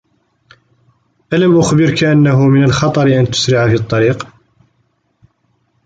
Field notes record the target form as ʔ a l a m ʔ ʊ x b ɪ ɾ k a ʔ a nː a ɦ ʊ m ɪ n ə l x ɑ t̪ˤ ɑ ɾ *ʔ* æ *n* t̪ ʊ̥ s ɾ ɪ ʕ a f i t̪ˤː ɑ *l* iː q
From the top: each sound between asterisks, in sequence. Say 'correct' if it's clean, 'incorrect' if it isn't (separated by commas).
correct, correct, incorrect